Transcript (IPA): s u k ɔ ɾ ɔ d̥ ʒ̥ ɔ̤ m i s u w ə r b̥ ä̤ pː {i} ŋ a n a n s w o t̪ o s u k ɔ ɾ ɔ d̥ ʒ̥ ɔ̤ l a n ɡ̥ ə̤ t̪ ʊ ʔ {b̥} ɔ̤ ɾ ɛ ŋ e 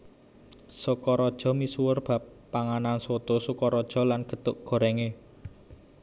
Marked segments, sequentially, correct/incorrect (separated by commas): incorrect, incorrect